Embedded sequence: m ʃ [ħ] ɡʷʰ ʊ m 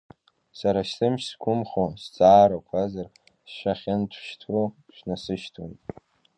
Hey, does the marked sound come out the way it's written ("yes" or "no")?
no